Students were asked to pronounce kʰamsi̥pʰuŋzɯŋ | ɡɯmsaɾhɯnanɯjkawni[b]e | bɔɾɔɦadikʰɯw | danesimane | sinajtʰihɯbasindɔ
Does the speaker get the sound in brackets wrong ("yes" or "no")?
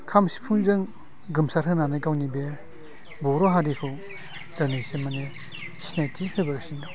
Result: no